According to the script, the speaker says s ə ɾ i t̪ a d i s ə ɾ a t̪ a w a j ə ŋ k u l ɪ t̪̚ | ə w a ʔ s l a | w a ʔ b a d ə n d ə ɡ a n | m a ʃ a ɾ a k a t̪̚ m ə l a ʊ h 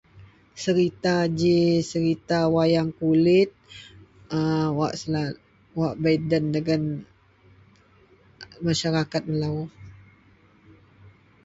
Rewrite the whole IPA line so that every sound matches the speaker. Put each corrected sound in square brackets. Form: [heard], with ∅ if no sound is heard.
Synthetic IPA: s ə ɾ i t̪ a [d͡ʒ] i s ə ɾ [i] t̪ a w a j [a] ŋ k u l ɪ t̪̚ | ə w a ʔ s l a | w a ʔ b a d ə n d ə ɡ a n | m a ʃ a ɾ a k a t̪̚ m ə l a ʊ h